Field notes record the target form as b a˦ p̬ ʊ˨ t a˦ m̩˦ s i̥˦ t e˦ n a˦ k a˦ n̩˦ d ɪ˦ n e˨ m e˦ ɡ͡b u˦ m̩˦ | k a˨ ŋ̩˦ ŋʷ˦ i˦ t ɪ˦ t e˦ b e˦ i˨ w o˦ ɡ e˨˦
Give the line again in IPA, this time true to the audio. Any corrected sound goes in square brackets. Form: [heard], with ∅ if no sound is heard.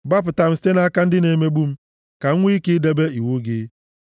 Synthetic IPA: b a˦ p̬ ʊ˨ t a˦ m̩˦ s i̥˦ t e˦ n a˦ k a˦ n̩˦ d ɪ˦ n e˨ m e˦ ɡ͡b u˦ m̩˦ | k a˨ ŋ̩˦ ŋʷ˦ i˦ [k] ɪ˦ [d] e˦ b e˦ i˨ w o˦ ɡ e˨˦